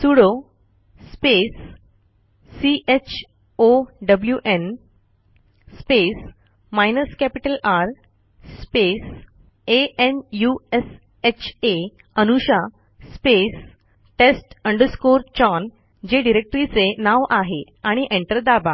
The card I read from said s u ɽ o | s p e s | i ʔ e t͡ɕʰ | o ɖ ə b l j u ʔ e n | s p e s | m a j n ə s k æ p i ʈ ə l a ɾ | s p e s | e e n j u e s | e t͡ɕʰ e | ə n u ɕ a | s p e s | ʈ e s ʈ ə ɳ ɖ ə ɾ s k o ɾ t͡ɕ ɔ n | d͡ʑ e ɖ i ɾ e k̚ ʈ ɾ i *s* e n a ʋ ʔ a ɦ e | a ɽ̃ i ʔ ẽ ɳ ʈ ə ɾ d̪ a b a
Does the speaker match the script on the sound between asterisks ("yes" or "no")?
no